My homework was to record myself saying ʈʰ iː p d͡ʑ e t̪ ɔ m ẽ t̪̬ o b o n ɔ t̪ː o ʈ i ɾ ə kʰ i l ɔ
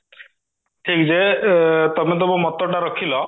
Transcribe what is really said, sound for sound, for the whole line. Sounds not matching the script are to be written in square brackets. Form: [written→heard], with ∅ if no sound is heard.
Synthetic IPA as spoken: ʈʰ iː [p→k] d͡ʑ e t̪ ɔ m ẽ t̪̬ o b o [n→m] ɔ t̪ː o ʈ [i→a] ɾ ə kʰ i l ɔ